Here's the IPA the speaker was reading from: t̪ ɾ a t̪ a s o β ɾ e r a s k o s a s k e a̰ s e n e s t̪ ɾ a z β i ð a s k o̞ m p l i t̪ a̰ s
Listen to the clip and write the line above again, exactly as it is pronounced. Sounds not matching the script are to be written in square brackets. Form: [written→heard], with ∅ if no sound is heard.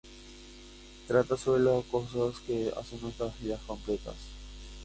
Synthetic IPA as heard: t̪ ɾ a t̪ a s o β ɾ e [r→l] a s k o s a s k e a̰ s e n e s t̪ ɾ a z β i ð a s k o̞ m p l [i→e] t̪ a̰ s